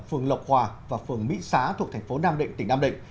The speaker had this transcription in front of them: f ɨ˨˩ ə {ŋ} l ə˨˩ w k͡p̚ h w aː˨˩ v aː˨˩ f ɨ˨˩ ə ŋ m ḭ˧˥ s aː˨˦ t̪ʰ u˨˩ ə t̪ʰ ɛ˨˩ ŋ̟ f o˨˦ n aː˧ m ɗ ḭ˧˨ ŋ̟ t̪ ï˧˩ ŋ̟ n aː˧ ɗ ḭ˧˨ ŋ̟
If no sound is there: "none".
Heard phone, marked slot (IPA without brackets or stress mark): ŋ